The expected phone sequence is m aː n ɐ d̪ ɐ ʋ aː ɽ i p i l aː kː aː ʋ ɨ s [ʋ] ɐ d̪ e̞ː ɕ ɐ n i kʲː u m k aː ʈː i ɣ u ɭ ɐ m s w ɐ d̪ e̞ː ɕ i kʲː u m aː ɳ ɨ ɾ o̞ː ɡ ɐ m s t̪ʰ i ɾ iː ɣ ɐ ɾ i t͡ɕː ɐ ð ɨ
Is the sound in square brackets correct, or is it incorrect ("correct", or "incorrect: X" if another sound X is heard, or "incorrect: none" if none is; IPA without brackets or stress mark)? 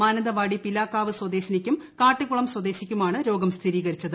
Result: incorrect: w